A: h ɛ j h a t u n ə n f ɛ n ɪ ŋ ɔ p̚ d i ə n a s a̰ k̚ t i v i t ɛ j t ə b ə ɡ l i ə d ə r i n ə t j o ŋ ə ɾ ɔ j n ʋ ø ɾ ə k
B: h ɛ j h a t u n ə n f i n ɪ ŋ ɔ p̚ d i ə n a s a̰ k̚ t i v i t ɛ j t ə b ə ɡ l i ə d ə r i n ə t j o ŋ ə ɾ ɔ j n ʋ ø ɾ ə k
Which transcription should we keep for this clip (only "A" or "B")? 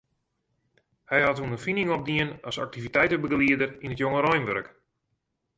B